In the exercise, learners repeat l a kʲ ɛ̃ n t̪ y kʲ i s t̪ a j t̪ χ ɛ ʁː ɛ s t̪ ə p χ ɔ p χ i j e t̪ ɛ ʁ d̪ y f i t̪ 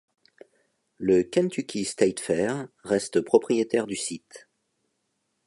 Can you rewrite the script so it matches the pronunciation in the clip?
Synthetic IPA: l ə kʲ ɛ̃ n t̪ y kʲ i s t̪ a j t̪ f ɛ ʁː ɛ s t̪ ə p χ ɔ p χ i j e t̪ ɛ ʁ d̪ y s i t̪